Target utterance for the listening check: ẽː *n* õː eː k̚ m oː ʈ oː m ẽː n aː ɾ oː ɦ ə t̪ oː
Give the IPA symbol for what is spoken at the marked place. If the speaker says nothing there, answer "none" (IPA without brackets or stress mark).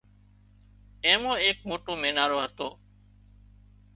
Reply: m